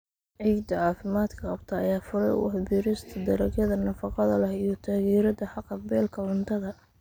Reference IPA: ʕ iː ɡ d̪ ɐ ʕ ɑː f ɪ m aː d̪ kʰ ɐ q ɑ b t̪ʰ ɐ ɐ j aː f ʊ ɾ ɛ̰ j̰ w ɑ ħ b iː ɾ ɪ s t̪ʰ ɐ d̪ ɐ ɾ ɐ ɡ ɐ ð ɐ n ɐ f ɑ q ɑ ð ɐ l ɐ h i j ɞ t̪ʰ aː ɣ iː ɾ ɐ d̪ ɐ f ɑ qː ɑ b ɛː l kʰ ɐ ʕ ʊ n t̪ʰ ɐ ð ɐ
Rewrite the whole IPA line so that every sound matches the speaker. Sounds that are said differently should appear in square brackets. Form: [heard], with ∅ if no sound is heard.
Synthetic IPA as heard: ʕ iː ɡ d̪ ɐ ʕ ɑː f ɪ m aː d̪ kʰ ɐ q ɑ b t̪ʰ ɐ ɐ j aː f ʊ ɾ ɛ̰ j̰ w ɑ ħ b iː ɾ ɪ s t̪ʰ ɐ d̪ ɐ ɾ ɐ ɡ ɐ ð ɐ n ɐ f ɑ q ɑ ð ɐ l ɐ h i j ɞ t̪ʰ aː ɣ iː ɾ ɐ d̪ ɐ [ħ] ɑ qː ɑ b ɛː l kʰ ɐ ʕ ʊ n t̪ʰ ɐ ð ɐ

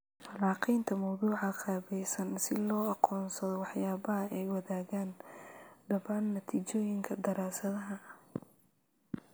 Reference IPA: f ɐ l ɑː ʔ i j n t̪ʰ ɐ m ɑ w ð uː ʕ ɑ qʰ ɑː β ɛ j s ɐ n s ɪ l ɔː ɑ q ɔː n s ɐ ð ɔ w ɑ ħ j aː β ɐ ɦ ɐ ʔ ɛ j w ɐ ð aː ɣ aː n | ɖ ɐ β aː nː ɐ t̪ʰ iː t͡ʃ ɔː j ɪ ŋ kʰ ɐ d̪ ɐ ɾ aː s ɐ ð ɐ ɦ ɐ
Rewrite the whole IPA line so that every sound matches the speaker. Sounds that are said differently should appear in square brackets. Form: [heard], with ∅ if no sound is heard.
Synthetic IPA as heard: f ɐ l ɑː [q] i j n t̪ʰ ɐ m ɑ w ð uː ʕ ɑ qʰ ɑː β ɛ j s ɐ n s ɪ l ɔː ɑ q ɔː n s ɐ ð ɔ w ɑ ħ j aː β ɐ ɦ ɐ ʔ ɛ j w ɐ ð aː ɣ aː n | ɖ ɐ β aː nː ɐ t̪ʰ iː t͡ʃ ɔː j ɪ ŋ kʰ ɐ d̪ ɐ ɾ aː s ɐ ð ɐ ɦ ɐ

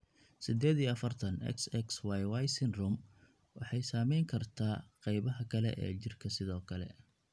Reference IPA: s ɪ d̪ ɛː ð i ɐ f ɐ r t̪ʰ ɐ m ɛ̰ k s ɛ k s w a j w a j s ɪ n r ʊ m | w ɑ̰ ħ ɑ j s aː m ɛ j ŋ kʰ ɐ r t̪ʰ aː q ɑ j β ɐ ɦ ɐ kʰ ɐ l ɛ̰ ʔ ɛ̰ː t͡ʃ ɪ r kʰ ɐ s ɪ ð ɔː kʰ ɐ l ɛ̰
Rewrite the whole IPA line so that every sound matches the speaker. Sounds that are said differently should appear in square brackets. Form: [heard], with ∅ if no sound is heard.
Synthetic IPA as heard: s ɪ d̪ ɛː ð i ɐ f ɐ r t̪ʰ ɐ [n] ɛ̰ k s ɛ k s w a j w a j s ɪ n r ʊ m | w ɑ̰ ħ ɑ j s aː m ɛ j ŋ kʰ ɐ r t̪ʰ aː q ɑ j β ɐ ɦ ɐ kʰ ɐ l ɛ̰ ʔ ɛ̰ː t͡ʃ ɪ r kʰ ɐ s ɪ ð ɔː kʰ ɐ l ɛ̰

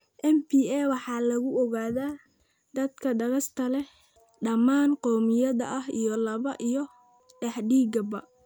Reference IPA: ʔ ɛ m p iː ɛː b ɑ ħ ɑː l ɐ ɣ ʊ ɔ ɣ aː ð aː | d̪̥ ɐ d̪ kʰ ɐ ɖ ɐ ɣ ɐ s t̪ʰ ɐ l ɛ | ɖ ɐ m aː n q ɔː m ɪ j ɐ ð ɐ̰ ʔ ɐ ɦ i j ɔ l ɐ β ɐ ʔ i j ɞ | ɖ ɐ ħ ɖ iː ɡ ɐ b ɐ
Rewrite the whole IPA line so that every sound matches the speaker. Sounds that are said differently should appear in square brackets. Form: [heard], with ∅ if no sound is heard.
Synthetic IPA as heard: ʔ ɛ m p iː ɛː [w] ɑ ħ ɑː l ɐ ɣ ʊ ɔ ɣ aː ð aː | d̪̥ ɐ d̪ kʰ ɐ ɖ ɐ ɣ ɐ s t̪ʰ ɐ l ɛ | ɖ ɐ m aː n q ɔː m ɪ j ɐ ð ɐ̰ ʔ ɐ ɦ i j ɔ l ɐ β ɐ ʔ i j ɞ | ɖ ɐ ħ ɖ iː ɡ ɐ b ɐ

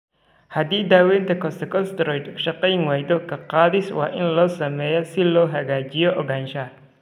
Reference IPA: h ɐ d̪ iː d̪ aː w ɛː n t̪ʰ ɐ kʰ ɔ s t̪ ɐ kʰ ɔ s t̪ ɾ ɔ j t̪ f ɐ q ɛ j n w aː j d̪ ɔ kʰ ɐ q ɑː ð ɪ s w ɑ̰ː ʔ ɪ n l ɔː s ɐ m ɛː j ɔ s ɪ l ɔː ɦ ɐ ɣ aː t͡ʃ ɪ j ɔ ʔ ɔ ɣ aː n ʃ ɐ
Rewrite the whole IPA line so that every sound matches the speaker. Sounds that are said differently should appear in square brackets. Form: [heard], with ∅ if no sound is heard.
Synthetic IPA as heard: h ɐ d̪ iː d̪ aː w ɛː n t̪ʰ ɐ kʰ ɔ s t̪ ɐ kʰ ɔ s t̪ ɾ ɔ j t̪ [ʃ] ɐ q ɛ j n w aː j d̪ ɔ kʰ ɐ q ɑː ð ɪ s w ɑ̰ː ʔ ɪ n l ɔː s ɐ m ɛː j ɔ s ɪ l ɔː ɦ ɐ ɣ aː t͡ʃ ɪ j ɔ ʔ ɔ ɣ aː n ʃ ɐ

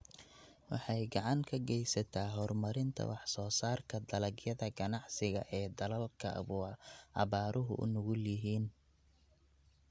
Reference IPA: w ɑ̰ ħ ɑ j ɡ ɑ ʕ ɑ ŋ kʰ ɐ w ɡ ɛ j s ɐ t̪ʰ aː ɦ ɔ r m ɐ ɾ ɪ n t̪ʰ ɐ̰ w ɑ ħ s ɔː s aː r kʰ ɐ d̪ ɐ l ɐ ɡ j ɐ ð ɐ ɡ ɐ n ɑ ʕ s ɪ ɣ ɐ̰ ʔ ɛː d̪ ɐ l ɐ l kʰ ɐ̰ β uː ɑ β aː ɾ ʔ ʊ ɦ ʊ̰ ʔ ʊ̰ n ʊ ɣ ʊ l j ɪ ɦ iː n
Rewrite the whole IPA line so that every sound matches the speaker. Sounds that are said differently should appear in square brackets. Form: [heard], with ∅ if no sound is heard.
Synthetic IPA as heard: w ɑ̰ ħ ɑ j ɡ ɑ ʕ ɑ ŋ kʰ ɐ [∅] ɡ ɛ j s ɐ t̪ʰ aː ɦ ɔ r m ɐ ɾ ɪ n t̪ʰ ɐ̰ w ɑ ħ s ɔː s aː r kʰ ɐ d̪ ɐ l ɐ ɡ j ɐ ð ɐ ɡ ɐ n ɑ ʕ s ɪ ɣ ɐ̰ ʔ ɛː d̪ ɐ l ɐ l kʰ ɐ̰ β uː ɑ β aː ɾ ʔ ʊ ɦ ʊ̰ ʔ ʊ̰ n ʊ ɣ ʊ l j ɪ ɦ iː n

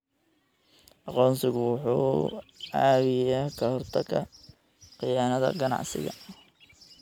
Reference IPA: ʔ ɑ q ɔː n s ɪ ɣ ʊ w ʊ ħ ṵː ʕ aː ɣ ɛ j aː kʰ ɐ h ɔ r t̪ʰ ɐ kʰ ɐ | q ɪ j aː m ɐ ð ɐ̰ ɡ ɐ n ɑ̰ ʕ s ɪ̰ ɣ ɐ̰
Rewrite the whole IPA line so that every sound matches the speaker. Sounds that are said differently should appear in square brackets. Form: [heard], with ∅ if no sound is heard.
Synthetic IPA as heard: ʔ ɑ q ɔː n s ɪ ɣ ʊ w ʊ ħ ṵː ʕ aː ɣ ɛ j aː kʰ ɐ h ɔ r t̪ʰ ɐ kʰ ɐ | q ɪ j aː [n] ɐ ð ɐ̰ ɡ ɐ n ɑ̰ ʕ s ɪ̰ ɣ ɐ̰

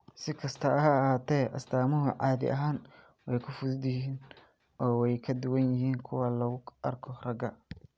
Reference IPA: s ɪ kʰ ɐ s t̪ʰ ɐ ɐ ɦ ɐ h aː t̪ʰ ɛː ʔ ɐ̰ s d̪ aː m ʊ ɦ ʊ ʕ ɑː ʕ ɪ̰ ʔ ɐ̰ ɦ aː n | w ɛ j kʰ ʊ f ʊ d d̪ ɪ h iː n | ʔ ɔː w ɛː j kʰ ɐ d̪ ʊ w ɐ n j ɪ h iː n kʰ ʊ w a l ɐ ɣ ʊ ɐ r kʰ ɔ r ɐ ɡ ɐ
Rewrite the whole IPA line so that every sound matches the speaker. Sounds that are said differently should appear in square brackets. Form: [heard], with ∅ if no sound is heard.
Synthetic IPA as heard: s ɪ kʰ ɐ s t̪ʰ ɐ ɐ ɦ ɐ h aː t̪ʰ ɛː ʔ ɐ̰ s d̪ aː m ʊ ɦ ʊ ʕ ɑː [ð] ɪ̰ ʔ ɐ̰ ɦ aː n | w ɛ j kʰ ʊ f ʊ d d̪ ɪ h iː n | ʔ ɔː w [ɛ] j kʰ ɐ d̪ ʊ w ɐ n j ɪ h iː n kʰ ʊ w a l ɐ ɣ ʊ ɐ r kʰ ɔ r ɐ ɡ ɐ

